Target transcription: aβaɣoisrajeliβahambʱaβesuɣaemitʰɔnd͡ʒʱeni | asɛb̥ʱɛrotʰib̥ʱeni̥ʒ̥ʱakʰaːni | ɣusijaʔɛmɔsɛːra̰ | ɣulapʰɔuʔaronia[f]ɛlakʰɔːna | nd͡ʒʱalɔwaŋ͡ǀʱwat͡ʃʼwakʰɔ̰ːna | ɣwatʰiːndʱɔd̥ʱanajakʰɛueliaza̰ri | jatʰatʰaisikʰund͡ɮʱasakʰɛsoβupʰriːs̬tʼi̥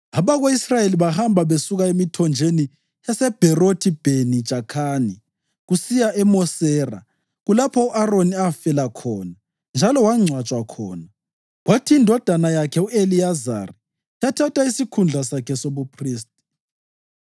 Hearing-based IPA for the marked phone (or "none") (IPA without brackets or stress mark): f